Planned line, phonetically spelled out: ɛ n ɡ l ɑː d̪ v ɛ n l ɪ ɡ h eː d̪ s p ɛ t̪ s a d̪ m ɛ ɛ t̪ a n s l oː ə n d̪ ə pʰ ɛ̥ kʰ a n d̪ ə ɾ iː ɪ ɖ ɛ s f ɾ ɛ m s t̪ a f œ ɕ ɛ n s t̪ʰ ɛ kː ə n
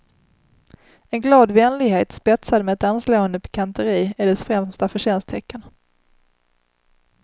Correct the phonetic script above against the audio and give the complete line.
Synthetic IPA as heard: ɛ n ɡ l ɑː d̪ v ɛ n l ɪ ɡ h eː t̪ s p ɛ t̪ s a d̪ m ɛ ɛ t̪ a n s l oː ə n d̪ ə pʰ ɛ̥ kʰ a n t̪ ə ɾ iː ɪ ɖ ɛ s f ɾ ɛ m s t̪ a f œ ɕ ɛ n s t̪ʰ ɛ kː ə n